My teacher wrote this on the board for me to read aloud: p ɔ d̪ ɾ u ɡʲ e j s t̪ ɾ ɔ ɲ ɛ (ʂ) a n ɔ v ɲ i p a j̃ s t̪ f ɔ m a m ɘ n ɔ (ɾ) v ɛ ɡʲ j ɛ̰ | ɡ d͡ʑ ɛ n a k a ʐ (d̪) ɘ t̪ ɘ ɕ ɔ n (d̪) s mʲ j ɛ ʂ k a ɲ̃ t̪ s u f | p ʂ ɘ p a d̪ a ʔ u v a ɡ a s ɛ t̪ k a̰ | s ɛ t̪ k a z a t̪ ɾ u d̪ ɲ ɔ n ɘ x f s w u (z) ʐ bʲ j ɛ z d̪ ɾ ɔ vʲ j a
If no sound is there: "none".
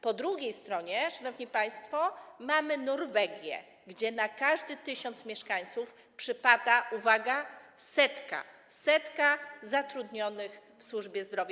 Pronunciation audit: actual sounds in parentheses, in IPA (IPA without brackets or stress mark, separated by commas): ʂ, ɾ, d̪, t̪, none